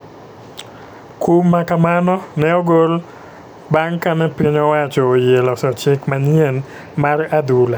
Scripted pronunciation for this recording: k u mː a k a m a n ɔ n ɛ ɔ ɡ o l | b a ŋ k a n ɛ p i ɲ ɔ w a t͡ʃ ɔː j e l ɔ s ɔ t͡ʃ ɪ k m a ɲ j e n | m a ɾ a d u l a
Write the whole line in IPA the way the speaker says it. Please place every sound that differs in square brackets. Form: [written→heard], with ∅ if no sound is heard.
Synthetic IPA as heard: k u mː a k a m a n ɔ n ɛ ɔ ɡ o l | b a ŋ k a n ɛ p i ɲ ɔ w a t͡ʃ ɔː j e l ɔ s ɔ t͡ʃ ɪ k m a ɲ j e n | m a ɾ a d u l a